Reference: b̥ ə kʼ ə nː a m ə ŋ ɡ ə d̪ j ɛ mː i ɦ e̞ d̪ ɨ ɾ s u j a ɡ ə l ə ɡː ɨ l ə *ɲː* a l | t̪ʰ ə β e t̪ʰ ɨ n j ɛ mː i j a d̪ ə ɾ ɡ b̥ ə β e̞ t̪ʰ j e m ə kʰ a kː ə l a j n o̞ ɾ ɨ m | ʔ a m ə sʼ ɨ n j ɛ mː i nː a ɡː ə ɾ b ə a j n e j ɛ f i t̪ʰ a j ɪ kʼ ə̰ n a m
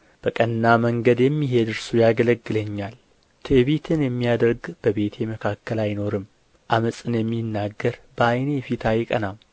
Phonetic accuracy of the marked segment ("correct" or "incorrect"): correct